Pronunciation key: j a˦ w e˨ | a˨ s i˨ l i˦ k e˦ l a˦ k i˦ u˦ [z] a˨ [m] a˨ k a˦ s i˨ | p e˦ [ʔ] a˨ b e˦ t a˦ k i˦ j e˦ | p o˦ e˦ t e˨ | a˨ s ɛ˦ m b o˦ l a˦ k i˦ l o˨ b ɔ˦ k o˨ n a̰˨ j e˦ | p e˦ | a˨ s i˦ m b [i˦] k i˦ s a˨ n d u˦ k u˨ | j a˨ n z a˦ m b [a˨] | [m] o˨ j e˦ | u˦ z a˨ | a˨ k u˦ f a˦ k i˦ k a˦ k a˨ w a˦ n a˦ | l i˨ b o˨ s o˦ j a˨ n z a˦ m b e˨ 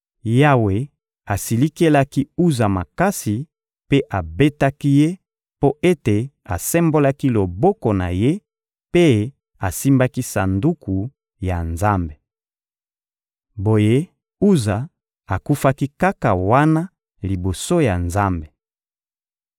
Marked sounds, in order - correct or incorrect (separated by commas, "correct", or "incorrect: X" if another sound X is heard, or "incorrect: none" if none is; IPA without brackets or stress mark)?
correct, correct, correct, incorrect: a˦, incorrect: e˨, incorrect: b